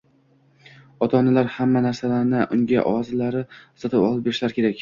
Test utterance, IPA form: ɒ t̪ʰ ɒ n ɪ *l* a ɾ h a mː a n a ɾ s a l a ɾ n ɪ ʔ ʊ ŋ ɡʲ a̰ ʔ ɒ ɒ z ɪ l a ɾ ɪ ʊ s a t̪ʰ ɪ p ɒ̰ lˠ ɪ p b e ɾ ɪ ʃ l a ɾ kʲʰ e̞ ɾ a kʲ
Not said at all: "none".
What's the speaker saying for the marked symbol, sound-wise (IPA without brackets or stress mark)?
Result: l